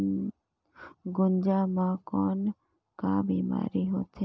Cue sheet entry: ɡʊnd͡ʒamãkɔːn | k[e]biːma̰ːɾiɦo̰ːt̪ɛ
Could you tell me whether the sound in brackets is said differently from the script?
yes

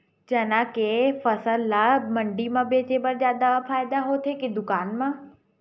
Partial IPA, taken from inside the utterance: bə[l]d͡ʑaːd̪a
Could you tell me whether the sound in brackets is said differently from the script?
yes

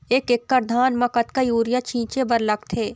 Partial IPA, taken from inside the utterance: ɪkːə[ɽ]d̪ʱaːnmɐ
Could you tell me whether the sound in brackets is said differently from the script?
yes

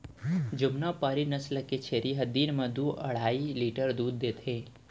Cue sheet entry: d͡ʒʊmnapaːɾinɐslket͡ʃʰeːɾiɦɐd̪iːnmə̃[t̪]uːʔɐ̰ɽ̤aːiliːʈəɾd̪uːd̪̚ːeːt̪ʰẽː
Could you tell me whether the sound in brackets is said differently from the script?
yes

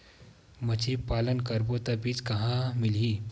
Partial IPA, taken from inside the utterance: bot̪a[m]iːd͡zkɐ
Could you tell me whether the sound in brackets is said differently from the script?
yes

